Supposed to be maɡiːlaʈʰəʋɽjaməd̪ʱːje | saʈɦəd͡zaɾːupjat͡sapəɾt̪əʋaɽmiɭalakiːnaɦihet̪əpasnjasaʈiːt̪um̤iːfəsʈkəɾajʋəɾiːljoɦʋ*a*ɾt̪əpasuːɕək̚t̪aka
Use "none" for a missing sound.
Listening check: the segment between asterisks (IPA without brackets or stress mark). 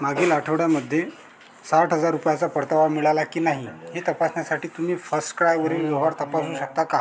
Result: a